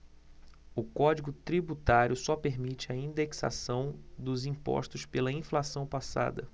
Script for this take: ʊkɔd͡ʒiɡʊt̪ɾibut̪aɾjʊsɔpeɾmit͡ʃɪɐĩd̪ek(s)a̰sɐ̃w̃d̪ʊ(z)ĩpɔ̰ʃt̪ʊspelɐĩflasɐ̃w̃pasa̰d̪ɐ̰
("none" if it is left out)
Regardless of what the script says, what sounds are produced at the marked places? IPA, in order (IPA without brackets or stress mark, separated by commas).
s, z